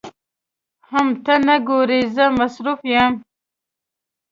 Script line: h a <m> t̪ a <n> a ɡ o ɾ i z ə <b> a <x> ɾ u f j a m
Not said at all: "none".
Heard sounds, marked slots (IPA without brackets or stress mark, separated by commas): m, n, m, s